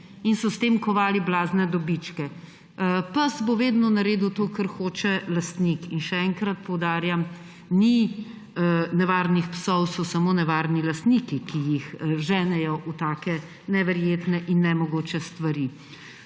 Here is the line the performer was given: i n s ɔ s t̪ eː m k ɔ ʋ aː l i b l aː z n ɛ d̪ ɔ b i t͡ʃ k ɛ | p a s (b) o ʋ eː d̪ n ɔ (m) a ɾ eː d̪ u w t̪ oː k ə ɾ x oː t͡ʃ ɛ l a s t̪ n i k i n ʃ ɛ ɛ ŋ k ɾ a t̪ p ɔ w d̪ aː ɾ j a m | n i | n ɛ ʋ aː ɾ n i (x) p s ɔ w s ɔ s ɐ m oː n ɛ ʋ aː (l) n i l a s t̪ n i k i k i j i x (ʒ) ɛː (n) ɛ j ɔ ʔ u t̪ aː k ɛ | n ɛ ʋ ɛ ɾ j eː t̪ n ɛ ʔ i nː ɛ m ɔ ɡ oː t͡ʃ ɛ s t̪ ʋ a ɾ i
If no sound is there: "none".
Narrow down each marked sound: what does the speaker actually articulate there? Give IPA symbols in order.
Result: b, n, x, ɾ, ʒ, n

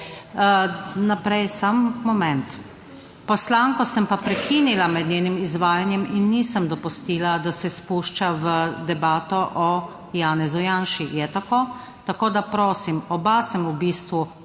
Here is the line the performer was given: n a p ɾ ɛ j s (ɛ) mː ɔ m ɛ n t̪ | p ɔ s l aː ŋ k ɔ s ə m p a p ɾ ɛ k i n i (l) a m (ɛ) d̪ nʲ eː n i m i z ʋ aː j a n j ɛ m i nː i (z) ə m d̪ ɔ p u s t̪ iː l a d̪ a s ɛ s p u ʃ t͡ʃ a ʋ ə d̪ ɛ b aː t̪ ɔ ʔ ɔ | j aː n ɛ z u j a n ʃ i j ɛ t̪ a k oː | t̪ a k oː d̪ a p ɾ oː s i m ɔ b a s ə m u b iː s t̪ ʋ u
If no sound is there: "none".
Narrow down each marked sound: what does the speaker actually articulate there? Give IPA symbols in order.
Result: a, l, ɛ, s

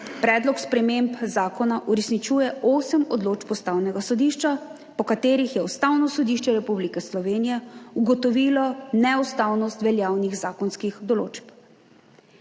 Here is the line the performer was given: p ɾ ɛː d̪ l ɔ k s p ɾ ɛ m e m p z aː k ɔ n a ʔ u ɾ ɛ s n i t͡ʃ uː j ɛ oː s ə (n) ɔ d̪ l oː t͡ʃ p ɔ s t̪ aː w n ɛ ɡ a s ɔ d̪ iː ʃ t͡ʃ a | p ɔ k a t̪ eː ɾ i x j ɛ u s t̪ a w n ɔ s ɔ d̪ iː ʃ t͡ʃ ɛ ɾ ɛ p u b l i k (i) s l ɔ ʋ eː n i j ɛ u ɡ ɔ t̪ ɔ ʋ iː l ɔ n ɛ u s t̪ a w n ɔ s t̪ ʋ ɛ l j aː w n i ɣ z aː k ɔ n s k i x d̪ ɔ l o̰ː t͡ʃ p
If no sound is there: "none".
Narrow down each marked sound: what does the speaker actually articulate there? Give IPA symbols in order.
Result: m, ɛ

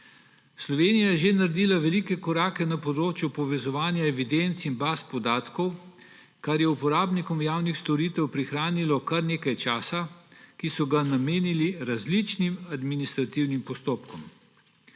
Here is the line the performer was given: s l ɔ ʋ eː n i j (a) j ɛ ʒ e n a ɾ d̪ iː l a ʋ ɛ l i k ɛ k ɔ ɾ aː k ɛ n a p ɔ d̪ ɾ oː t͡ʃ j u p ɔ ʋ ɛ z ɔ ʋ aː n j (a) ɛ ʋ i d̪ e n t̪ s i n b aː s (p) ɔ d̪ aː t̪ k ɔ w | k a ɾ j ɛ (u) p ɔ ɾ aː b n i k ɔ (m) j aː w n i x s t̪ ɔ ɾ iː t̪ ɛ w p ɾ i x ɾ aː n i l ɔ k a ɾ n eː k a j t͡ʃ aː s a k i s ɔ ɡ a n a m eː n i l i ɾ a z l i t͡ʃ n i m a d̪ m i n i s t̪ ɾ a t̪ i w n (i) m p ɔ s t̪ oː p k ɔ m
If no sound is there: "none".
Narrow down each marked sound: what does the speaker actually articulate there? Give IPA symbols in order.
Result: a, a, p, u, m, i

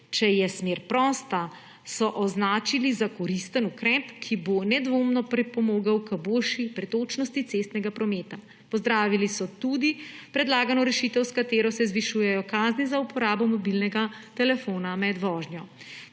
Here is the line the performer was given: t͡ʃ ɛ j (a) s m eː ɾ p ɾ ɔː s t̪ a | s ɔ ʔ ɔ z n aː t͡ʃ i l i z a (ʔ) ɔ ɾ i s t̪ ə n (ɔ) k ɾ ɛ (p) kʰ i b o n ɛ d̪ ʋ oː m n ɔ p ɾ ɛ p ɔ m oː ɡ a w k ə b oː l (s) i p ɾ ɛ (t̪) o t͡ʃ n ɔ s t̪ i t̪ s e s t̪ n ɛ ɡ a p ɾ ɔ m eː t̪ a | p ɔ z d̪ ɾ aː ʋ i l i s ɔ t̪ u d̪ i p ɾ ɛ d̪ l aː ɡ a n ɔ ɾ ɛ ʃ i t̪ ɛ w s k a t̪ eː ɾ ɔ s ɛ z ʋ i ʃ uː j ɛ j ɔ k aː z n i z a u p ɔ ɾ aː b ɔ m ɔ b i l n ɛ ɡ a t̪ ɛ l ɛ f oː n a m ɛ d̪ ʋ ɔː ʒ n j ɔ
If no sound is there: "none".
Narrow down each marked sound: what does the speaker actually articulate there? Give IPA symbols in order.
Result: ɛ, k, u, p, ʃ, t̪

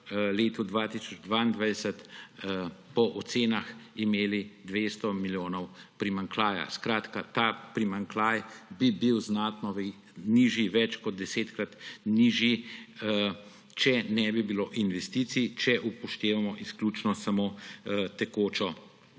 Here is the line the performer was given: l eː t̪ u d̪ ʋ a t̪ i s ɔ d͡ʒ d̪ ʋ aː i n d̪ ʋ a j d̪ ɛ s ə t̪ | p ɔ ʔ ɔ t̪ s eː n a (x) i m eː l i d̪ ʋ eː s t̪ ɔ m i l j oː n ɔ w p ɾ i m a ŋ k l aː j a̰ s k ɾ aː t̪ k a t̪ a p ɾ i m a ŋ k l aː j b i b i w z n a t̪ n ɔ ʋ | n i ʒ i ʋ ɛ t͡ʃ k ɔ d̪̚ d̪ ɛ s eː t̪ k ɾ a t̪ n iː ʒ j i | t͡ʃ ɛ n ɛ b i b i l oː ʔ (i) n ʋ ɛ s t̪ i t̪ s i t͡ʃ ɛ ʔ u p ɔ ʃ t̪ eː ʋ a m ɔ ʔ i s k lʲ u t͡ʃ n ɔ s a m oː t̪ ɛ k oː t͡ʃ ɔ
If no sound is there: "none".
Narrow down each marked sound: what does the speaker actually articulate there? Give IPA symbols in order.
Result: x, i

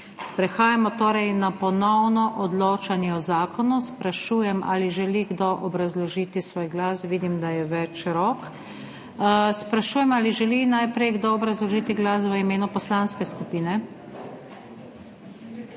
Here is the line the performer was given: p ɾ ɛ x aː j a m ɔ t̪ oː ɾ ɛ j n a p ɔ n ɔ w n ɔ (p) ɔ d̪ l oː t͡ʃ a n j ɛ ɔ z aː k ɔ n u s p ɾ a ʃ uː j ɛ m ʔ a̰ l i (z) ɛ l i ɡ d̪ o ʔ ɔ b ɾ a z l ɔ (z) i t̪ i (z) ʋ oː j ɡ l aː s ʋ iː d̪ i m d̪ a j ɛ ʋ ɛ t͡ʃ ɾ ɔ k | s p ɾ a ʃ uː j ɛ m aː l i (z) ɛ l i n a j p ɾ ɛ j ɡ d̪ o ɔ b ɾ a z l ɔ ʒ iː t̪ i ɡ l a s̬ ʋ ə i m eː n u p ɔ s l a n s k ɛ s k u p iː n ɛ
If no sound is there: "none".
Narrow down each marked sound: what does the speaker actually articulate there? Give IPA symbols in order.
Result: ʔ, ʒ, ʒ, s, ʒ

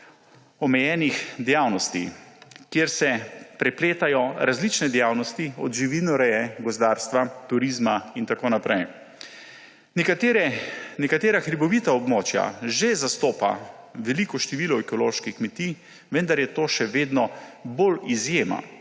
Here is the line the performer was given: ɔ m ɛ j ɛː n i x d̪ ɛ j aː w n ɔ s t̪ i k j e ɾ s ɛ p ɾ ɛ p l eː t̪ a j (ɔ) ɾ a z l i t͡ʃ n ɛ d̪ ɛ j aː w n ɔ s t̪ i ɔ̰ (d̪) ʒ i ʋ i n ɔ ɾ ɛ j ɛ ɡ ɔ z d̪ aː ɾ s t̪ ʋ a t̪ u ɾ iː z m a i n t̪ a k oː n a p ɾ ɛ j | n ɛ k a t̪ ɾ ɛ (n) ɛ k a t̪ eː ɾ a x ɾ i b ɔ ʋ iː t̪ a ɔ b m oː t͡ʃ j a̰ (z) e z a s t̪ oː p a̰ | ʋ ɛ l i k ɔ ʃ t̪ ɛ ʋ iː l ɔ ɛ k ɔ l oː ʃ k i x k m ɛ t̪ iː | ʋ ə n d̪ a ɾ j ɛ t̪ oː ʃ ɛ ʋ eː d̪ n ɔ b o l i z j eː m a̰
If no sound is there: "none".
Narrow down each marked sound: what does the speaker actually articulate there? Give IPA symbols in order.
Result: ɔ, d̪, n, ʒ

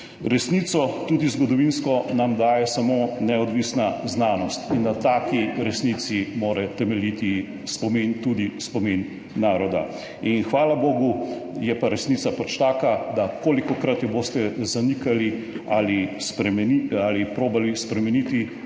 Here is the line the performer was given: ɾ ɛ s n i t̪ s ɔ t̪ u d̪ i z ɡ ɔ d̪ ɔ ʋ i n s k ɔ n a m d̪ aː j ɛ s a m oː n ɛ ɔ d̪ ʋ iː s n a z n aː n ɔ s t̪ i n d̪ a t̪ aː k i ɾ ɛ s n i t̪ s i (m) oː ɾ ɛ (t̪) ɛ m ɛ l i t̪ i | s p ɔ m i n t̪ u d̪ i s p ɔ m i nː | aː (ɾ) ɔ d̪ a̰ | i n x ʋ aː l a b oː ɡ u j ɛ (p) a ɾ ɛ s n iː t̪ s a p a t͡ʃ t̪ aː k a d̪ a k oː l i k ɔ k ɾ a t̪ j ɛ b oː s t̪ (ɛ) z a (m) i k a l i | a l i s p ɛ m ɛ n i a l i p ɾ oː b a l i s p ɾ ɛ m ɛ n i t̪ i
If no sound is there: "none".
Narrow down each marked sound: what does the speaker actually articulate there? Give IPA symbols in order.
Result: m, t̪, ɾ, p, ɛ, n

